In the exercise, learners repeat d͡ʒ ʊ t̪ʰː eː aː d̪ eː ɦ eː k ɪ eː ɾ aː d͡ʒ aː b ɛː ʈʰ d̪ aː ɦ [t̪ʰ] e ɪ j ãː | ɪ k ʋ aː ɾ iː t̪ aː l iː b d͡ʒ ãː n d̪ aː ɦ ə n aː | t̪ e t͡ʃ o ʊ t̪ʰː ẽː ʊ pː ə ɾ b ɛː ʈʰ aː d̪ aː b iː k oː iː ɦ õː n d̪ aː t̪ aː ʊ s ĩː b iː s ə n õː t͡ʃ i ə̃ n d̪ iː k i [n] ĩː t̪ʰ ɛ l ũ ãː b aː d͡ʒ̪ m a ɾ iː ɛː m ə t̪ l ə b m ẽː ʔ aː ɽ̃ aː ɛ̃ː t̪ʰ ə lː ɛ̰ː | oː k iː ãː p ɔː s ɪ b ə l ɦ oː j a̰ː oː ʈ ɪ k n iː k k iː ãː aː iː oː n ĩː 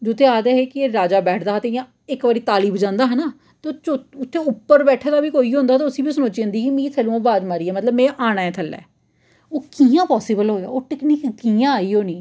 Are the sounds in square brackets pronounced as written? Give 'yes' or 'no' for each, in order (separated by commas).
no, no